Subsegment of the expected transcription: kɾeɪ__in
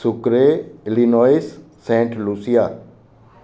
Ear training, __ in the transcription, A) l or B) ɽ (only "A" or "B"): A